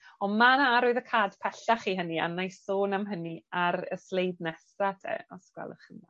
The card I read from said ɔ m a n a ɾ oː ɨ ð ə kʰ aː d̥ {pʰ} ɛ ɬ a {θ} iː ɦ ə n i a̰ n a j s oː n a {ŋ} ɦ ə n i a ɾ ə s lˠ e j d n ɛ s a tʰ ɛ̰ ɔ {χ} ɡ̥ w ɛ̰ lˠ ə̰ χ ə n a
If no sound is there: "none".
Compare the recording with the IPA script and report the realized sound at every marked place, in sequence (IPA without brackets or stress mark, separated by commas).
pʰ, χ, m, s